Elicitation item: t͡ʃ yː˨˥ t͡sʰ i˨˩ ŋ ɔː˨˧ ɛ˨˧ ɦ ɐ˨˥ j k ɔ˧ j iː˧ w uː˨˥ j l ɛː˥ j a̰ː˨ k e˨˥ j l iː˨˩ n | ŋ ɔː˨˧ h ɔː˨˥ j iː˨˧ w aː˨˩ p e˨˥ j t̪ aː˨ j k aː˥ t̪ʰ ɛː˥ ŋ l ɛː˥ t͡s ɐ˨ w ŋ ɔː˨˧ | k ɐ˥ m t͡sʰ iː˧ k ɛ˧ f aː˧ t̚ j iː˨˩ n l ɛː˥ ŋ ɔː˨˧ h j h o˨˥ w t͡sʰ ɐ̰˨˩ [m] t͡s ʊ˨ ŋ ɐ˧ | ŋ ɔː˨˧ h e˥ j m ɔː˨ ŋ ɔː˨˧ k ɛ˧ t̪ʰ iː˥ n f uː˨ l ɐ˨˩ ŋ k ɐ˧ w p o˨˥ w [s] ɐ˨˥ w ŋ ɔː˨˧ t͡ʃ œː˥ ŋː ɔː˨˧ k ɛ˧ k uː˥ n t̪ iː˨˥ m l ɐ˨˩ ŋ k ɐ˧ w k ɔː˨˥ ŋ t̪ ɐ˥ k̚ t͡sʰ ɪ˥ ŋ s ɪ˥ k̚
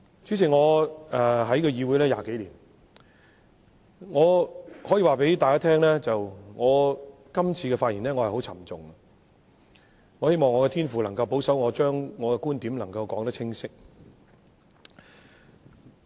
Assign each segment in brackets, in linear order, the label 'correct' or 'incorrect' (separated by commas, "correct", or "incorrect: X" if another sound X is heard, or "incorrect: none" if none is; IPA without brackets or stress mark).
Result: correct, correct